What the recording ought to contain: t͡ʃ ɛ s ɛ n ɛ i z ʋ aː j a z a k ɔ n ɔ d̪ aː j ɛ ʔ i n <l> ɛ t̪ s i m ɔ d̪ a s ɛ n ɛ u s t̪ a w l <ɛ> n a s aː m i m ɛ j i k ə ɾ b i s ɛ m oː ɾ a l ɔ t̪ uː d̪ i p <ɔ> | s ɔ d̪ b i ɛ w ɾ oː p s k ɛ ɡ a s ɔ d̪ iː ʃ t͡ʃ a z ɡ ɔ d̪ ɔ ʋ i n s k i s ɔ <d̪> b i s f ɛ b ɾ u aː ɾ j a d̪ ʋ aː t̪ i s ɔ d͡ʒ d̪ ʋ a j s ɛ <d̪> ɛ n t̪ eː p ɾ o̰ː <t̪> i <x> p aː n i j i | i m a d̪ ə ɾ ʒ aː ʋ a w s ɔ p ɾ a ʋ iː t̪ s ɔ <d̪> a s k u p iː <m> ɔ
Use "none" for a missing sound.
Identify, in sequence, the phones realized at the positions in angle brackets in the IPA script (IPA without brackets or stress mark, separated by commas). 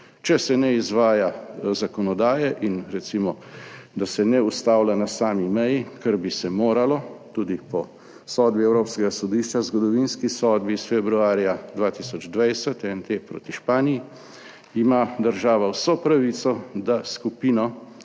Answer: ɾ, a, ɔ, d̪, t̪, t̪, ʃ, d̪, n